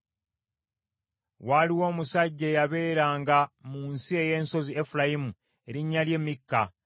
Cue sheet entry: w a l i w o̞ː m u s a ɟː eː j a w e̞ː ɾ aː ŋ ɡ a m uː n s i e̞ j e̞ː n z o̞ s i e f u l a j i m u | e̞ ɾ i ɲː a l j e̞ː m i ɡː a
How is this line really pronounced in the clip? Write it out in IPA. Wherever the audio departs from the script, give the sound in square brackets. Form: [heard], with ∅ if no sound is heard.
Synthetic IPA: w a l i w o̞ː m u s a ɟː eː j a [β] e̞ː ɾ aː ŋ ɡ a m uː n s i e̞ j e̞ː n [s] o̞ [z] i e f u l a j i m u | e̞ ɾ i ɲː a l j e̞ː m i [kː] a